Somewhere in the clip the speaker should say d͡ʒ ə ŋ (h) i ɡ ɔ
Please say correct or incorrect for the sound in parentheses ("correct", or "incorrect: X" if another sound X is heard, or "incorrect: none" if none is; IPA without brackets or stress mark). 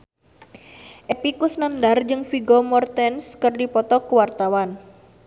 incorrect: f